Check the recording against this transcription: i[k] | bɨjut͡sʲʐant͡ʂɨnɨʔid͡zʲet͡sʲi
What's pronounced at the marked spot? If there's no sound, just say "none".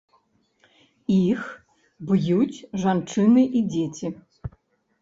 x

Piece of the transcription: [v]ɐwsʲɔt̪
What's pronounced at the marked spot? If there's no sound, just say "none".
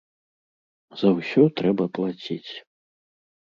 z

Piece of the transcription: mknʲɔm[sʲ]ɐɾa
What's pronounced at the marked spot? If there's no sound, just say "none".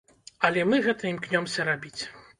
sʲ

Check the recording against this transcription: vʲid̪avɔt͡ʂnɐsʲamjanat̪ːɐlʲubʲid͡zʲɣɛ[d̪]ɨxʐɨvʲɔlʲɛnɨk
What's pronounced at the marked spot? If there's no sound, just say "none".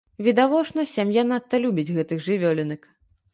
t̪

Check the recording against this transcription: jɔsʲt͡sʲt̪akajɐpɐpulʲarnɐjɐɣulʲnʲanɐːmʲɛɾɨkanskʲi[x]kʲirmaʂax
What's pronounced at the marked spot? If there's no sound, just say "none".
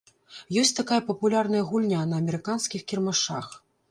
x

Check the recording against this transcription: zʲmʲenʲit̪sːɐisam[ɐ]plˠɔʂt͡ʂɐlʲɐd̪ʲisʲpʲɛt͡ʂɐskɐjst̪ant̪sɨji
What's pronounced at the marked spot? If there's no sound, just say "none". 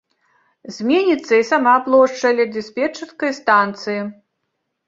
a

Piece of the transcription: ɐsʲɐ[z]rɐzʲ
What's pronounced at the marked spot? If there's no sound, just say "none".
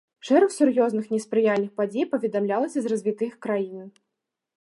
z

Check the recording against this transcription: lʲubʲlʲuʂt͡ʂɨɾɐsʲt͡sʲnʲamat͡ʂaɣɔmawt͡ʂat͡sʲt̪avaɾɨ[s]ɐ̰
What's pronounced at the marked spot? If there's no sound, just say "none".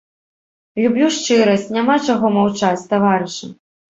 ʂ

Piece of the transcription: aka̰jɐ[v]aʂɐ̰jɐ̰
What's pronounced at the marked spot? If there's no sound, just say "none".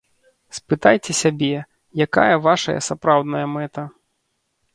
v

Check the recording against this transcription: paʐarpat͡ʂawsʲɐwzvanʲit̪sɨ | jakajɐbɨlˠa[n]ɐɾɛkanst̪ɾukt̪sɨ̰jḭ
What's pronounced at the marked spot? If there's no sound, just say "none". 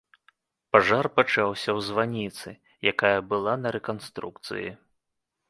n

